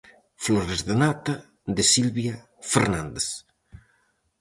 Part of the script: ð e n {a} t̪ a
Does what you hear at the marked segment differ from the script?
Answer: no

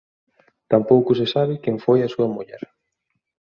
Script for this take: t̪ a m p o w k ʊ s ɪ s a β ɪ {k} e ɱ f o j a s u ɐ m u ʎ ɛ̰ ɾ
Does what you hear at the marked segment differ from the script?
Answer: no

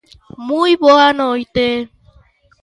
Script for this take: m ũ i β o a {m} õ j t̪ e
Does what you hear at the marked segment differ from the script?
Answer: yes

